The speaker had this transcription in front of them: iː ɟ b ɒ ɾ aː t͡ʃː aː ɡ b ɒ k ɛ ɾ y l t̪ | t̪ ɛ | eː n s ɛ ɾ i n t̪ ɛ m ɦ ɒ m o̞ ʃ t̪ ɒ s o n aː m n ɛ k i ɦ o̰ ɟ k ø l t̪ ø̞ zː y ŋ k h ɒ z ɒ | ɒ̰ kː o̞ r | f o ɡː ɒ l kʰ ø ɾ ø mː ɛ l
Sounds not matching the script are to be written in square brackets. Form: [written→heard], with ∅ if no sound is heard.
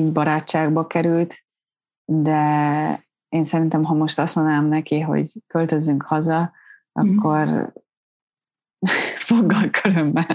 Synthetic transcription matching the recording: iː ɟ b ɒ ɾ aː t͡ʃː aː ɡ b ɒ k ɛ ɾ y l t̪ | [t̪→d̪] ɛ | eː n s ɛ ɾ i n t̪ ɛ m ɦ ɒ m o̞ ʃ t̪ ɒ s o n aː m n ɛ k i ɦ o̰ ɟ k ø l t̪ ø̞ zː y ŋ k h ɒ z ɒ | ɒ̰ kː o̞ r | f o ɡː ɒ l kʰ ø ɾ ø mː ɛ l